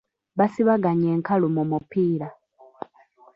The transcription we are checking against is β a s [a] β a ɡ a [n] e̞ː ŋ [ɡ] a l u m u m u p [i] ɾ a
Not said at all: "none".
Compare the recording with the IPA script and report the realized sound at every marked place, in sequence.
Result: i, ɲ, k, iː

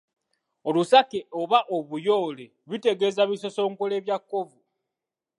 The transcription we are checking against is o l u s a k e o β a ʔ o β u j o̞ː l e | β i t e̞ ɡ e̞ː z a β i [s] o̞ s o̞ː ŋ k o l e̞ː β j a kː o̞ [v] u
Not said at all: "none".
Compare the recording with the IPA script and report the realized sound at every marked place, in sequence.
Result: s, v

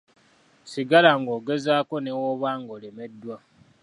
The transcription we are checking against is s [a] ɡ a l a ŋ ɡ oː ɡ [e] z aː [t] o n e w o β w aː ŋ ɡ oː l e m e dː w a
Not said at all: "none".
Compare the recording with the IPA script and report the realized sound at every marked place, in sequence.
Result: i, e, k

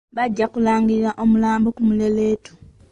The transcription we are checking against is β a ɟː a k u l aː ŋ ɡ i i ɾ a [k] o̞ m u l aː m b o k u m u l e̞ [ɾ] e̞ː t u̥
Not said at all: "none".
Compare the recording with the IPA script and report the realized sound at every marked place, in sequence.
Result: ʔ, l

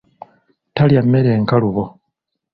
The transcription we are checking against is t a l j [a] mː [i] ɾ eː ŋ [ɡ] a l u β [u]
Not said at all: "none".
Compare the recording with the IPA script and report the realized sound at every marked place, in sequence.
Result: a, e, k, o

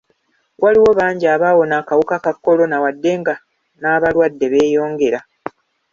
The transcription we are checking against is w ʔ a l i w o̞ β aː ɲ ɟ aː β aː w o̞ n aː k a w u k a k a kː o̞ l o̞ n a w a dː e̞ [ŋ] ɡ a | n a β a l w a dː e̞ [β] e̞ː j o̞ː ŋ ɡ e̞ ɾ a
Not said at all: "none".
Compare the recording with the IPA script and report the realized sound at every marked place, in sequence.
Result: ŋ, β

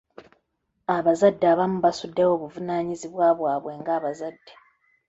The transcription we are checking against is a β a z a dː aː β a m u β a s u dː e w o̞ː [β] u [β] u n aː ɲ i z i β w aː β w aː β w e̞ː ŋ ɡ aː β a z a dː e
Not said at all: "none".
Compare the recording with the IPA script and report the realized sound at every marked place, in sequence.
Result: β, v

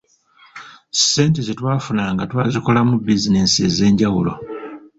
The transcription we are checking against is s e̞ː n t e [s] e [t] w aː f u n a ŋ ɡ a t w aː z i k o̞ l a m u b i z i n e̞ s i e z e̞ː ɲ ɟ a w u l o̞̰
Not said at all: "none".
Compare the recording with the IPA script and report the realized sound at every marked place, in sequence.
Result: z, t

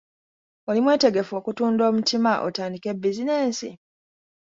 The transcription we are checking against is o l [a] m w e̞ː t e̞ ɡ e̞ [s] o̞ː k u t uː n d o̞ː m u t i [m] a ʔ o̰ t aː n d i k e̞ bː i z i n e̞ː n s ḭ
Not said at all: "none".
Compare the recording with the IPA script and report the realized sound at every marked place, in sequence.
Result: i, f, m

